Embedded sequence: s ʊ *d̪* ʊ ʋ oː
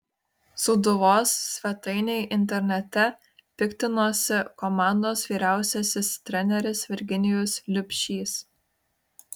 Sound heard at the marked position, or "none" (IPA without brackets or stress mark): d̪